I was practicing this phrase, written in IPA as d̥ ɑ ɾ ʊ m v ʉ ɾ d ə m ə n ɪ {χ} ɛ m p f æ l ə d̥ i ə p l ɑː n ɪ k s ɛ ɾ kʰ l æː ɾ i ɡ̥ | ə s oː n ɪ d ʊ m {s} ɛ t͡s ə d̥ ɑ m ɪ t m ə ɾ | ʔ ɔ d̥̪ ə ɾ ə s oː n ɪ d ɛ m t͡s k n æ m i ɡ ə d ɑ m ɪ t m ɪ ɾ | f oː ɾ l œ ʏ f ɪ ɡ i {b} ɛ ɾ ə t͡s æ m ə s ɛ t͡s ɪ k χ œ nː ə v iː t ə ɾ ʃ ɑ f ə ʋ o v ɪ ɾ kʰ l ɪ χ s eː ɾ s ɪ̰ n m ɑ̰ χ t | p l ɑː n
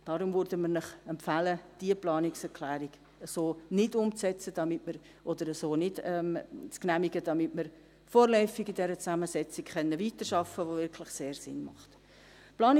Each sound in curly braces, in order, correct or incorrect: correct, incorrect: t͡s, incorrect: d

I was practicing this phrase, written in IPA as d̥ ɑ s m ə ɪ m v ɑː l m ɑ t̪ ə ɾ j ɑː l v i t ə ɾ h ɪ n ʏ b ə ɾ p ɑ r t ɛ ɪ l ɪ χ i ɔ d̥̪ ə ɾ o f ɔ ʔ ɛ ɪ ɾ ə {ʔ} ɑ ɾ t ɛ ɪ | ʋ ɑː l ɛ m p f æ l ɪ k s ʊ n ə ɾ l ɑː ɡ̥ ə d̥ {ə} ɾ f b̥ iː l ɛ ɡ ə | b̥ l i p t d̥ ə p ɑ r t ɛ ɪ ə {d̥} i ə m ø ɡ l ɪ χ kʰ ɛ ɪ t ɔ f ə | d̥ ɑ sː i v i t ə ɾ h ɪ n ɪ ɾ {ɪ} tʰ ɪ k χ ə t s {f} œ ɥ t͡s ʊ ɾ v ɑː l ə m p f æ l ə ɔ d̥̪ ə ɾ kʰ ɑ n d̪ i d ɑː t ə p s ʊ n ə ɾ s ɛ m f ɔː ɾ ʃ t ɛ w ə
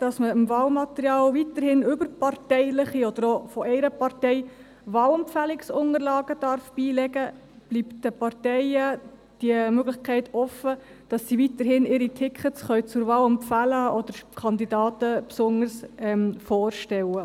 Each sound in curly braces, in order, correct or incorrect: incorrect: p, incorrect: ɑ, correct, incorrect: i, incorrect: χ

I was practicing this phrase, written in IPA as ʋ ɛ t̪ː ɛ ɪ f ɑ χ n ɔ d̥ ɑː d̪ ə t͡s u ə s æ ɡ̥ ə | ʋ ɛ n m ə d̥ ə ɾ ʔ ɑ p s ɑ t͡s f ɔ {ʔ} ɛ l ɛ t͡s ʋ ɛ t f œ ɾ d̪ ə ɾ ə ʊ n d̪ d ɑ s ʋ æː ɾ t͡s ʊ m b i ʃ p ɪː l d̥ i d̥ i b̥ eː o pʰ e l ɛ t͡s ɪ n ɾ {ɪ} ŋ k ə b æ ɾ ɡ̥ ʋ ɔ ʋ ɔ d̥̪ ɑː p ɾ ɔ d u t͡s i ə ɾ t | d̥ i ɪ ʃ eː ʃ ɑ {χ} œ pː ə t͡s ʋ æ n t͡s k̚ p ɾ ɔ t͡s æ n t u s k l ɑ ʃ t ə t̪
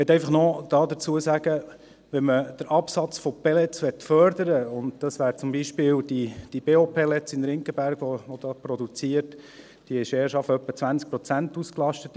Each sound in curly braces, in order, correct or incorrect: incorrect: p, correct, incorrect: f

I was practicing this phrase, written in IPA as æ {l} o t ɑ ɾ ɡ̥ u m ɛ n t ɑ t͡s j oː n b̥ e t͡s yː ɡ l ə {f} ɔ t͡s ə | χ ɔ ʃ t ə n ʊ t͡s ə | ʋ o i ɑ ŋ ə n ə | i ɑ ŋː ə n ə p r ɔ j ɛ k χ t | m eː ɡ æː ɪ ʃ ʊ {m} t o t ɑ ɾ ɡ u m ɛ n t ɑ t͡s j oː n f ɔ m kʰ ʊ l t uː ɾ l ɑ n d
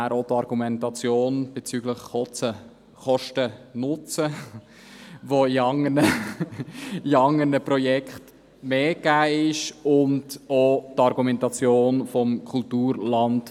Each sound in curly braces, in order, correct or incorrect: incorrect: ɾ, incorrect: χ, incorrect: n

